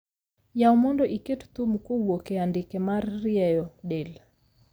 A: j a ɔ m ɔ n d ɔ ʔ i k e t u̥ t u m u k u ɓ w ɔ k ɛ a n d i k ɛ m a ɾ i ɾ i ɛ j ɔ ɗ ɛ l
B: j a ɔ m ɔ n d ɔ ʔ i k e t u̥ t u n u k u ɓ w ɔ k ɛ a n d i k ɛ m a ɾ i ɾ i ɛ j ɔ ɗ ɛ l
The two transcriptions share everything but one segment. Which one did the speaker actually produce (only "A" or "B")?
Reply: A